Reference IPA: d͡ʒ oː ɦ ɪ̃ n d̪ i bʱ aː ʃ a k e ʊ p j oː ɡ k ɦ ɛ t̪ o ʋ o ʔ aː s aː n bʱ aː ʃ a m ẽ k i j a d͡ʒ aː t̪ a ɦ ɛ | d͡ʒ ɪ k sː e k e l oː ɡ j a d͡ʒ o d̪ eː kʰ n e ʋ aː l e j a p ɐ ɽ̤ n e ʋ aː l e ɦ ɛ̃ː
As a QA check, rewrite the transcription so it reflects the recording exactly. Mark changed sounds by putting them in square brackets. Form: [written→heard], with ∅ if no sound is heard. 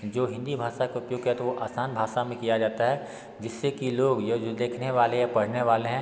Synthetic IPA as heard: d͡ʒ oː ɦ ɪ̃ n d̪ i bʱ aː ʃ a k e ʊ p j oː ɡ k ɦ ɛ t̪ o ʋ o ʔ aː s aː n bʱ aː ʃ a m ẽ k i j a d͡ʒ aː t̪ a ɦ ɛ | d͡ʒ ɪ [k→∅] sː e k [e→i] l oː ɡ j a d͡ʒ o d̪ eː kʰ n e ʋ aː l e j a p ɐ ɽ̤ n e ʋ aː l e ɦ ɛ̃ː